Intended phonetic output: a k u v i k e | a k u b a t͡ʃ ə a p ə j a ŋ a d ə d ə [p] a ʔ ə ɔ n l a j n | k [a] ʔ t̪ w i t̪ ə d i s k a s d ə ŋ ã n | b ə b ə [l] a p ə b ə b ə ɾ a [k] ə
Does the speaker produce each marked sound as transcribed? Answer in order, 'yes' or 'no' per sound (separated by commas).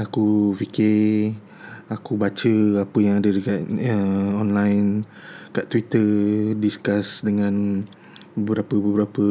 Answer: no, yes, no, no